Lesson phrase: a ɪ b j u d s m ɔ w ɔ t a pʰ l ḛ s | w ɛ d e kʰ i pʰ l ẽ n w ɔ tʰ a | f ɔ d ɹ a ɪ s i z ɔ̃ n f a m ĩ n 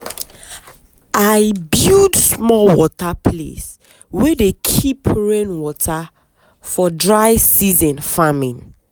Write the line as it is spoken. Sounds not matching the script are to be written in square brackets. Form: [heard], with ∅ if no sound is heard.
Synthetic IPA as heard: a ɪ b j u d s m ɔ w ɔ t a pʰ l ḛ s | w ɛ d e kʰ i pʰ [ɹ] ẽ n w ɔ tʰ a | f ɔ d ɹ a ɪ s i z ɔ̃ n f a m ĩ n